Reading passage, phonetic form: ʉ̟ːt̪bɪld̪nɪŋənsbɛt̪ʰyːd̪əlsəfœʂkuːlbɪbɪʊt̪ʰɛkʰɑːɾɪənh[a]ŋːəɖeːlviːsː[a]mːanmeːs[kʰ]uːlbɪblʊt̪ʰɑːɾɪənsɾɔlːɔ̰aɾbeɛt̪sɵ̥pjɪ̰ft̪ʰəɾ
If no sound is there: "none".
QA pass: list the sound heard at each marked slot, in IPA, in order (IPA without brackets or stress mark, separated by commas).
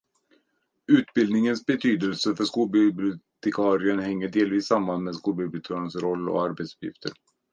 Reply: ɛ, a, k